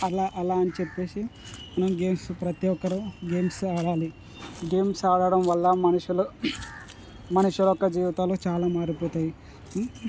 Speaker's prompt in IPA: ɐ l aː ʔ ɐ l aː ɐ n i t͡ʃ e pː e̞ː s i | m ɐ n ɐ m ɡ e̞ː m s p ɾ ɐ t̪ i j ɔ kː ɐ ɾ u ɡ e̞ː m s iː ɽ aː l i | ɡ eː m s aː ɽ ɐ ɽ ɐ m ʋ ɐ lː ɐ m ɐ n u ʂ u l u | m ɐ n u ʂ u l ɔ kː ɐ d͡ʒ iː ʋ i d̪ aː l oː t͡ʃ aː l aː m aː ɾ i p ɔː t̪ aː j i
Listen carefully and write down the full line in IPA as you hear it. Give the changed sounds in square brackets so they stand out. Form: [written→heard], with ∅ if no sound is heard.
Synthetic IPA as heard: ɐ l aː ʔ ɐ l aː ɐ n i t͡ʃ e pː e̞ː s i | m ɐ n ɐ m ɡ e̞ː m s p ɾ ɐ t̪ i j ɔ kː ɐ ɾ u ɡ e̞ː m s [iː→aː] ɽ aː l i | ɡ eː m s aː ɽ ɐ ɽ ɐ m ʋ ɐ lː ɐ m ɐ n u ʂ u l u | m ɐ n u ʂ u l ɔ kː ɐ d͡ʒ iː ʋ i [d̪→t̪] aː l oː t͡ʃ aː l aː m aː ɾ i p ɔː t̪ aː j i